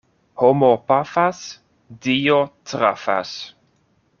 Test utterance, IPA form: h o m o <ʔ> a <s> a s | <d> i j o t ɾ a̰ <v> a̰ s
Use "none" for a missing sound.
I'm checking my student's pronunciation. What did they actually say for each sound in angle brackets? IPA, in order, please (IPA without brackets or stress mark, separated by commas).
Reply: p, f, d, f